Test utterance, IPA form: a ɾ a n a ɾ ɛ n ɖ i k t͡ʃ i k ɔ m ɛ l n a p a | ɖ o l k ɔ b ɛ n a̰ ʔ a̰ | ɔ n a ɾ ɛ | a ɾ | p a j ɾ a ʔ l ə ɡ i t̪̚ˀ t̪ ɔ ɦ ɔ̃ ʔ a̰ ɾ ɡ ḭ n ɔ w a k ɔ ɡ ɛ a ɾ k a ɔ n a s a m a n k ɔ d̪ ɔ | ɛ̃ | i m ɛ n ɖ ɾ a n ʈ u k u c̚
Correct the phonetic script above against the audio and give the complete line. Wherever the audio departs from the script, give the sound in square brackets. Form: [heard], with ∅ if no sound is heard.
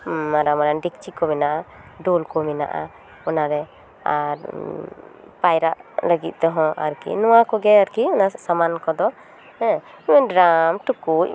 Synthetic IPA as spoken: a ɾ a [m] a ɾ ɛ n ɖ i k t͡ʃ i k ɔ m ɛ [∅] n a [ʔ] a | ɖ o l k ɔ [m] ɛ n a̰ ʔ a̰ | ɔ n a ɾ ɛ | a ɾ | p a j ɾ a ʔ l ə ɡ i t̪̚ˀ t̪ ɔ ɦ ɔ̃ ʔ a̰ ɾ [k] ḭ n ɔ w a k ɔ ɡ ɛ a ɾ k [i] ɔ n a s a m a n k ɔ d̪ ɔ | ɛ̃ | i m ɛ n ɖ ɾ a [m] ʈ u k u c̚

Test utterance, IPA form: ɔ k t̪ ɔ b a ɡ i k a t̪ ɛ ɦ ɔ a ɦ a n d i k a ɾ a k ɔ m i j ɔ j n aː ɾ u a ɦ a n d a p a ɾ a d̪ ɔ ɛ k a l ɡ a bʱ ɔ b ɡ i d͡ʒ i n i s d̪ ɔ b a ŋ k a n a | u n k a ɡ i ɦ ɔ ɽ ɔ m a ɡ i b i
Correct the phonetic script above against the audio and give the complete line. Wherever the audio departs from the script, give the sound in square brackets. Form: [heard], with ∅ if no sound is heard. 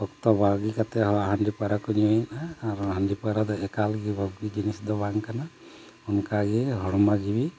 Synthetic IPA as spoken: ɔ k t̪ ɔ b a ɡ i k a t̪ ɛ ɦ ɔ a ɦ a n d i [p] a ɾ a k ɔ [n] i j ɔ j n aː ɾ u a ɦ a n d [i] p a ɾ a d̪ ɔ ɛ k a l ɡ [i] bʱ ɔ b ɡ i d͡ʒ i n i s d̪ ɔ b a ŋ k a n a | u n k a ɡ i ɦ ɔ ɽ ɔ m a ɡ i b i

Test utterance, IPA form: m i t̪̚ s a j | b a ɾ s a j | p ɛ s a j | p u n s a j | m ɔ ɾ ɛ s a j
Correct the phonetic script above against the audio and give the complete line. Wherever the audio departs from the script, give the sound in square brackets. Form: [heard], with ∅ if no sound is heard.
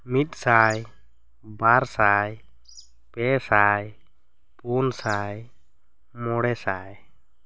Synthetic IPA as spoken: m i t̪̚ s a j | b a ɾ s a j | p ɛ s a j | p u n s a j | m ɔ [ɽ] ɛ s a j

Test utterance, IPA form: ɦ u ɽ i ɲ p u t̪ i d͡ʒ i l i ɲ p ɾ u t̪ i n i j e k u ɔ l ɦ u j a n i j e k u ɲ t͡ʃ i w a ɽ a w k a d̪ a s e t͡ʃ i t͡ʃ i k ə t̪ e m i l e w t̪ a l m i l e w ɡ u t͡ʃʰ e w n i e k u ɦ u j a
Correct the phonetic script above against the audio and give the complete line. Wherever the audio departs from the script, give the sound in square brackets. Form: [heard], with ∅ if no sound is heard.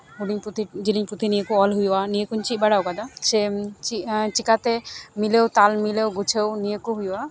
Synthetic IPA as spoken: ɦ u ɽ i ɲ p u t̪ i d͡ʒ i l i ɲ p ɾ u t̪ i n i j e k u ɔ l ɦ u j a n i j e k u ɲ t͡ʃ i [b] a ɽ a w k a d̪ a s e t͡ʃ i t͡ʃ i k [a] t̪ e m i l e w t̪ a l m i l e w ɡ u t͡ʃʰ e w n i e k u ɦ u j a

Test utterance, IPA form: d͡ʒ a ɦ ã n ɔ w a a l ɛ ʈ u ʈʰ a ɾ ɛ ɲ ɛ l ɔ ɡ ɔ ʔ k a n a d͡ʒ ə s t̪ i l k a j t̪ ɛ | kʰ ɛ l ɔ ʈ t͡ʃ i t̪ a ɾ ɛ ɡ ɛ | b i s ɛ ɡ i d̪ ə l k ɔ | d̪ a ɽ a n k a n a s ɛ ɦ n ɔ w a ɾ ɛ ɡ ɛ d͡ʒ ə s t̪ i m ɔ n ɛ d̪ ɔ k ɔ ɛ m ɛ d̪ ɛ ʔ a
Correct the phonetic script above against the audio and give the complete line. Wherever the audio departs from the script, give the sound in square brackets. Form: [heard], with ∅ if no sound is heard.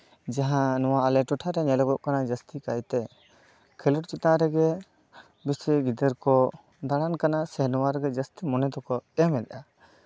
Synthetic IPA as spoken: d͡ʒ a ɦ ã n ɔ w a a l ɛ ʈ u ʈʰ a ɾ ɛ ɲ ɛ l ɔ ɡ ɔ ʔ k a n a d͡ʒ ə s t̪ i [∅] k a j t̪ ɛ | kʰ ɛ l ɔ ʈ t͡ʃ i t̪ a ɾ ɛ ɡ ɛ | b i s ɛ ɡ i d̪ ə [ɾ] k ɔ | d̪ a ɽ a n k a n a s ɛ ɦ n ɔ w a ɾ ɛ ɡ ɛ d͡ʒ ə s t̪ i m ɔ n ɛ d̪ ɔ k ɔ ɛ m ɛ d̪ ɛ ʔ a

